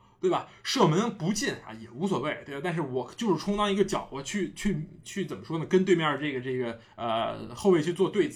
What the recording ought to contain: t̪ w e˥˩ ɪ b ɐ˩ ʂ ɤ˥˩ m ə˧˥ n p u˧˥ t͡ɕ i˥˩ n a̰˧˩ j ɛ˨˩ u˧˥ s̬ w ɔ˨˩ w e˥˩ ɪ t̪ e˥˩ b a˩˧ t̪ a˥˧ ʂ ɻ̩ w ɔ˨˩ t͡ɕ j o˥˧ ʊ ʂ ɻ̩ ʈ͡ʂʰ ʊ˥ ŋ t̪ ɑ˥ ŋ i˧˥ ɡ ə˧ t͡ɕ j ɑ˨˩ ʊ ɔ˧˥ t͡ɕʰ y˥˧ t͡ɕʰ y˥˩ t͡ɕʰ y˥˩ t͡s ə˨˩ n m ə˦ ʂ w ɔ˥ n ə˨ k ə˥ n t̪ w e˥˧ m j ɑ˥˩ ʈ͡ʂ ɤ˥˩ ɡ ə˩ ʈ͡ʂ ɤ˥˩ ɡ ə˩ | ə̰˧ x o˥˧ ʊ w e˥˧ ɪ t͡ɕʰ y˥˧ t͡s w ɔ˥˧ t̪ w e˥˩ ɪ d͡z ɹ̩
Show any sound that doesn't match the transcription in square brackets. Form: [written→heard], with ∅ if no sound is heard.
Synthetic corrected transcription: t̪ w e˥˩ ɪ b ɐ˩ ʂ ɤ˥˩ m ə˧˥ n p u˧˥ t͡ɕ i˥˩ n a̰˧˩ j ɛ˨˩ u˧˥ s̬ w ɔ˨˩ w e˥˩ ɪ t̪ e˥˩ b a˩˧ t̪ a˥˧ ʂ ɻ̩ w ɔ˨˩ t͡ɕ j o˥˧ ʊ ʂ ɻ̩ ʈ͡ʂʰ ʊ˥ ŋ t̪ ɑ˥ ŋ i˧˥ ɡ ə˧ t͡ɕ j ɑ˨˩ ʊ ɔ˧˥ t͡ɕʰ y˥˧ t͡ɕʰ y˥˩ t͡ɕʰ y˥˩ t͡s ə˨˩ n m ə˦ ʂ w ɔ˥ n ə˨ k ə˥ n t̪ w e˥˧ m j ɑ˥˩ ʈ͡ʂ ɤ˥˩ ɡ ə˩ ʈ͡ʂ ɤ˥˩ ɡ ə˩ | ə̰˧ x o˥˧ ʊ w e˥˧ ɪ t͡ɕʰ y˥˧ t͡s w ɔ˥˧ t̪ w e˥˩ ɪ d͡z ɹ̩